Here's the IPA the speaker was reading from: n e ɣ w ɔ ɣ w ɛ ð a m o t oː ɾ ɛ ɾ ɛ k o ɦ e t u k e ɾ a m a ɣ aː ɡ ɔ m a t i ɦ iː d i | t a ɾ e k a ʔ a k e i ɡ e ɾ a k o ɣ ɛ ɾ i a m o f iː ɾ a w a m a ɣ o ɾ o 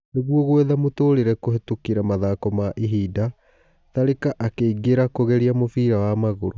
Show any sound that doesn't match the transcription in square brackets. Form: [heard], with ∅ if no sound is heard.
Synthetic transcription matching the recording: n e ɣ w ɔ ɣ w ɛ ð a m o t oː ɾ [e] ɾ ɛ k o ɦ e t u k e ɾ a m a [ð] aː [k] ɔ m a [ʔ] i ɦ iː d [a] | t a ɾ e k a ʔ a k e i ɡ e ɾ a k o ɣ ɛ ɾ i a m o f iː ɾ a w a m a ɣ o ɾ o